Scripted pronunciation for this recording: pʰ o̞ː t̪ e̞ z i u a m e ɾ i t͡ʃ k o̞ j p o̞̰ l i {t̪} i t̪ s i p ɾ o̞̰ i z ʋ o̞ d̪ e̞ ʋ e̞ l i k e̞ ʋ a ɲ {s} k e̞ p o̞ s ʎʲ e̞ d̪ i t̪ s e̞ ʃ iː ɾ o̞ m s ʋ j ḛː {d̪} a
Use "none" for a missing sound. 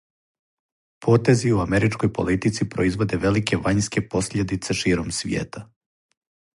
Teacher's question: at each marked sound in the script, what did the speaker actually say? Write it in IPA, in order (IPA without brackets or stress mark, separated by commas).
t̪, s, t̪